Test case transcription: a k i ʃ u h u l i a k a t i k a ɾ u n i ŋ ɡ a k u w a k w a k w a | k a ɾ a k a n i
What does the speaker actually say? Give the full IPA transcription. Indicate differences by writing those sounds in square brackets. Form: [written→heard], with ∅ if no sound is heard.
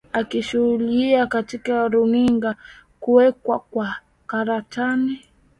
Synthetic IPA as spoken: a k i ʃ u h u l i a k a t i k a ɾ u n i ŋ ɡ a k u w [a→ɛ] k w a k w a | k a ɾ a [k→t] a n i